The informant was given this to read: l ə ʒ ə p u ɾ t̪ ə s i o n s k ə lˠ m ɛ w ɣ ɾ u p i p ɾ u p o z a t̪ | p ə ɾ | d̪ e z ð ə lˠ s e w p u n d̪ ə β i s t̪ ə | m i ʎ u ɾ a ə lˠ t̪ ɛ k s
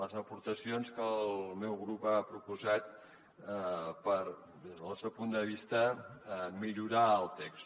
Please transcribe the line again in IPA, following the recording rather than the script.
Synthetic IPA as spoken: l ə z ə p u ɾ t̪ ə s i o n s k ə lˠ m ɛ w ɣ ɾ u p a p ɾ u p u z a t̪ | p ə ɾ | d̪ e z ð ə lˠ s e w p u n d̪ ə β i s t̪ ə | m i ʎ u ɾ a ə lˠ t̪ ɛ k s